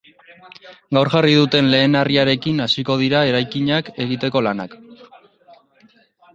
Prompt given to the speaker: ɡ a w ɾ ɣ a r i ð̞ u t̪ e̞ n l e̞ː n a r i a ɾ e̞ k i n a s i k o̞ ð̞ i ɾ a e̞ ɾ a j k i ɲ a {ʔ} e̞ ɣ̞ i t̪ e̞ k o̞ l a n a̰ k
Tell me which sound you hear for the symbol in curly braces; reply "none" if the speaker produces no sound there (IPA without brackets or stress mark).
k